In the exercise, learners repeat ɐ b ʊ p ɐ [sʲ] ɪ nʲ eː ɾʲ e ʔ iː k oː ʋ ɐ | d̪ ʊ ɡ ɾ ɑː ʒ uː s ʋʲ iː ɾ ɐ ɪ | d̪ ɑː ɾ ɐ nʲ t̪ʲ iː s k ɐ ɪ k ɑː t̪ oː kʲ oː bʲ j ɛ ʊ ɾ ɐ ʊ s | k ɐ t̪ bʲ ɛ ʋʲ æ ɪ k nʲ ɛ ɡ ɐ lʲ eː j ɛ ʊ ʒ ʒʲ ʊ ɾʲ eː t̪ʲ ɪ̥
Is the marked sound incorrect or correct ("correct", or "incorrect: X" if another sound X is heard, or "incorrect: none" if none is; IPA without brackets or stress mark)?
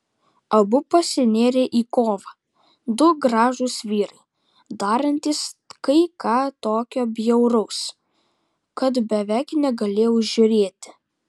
correct